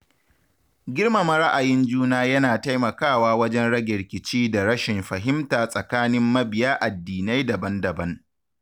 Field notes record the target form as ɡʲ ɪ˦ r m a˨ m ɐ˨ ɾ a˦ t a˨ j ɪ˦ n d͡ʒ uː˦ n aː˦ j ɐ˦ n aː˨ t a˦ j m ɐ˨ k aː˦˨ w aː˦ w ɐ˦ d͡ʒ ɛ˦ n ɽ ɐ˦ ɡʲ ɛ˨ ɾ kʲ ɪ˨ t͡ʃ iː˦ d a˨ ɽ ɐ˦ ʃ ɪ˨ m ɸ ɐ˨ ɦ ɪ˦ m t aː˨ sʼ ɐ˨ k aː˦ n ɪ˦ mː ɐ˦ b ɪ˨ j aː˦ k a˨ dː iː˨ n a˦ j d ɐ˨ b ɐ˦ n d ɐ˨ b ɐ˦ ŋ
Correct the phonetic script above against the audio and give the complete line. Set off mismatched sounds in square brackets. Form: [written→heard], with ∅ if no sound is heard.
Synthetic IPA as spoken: ɡʲ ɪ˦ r m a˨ m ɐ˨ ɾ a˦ [t→ʔ] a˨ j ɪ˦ n d͡ʒ uː˦ n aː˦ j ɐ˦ n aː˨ t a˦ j m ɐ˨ k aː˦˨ w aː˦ w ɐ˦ d͡ʒ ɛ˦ n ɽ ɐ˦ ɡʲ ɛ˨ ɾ kʲ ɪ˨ t͡ʃ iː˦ d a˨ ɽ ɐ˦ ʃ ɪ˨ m ɸ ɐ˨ ɦ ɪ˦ m t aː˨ sʼ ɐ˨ k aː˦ n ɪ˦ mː ɐ˦ b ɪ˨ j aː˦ [k→ʔ] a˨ dː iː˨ n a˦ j d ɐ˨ b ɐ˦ n d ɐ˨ b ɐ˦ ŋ